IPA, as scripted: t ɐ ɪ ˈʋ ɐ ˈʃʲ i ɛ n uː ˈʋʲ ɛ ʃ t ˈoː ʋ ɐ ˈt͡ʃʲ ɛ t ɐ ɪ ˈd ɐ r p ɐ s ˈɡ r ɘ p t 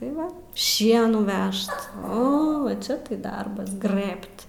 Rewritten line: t ɐ ɪ ˈʋ ɐ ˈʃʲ i ɛ n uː ˈʋʲ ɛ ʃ t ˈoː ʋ ɐ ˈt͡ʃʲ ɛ t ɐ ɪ ˈd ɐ r b ɐ s ˈɡ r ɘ p t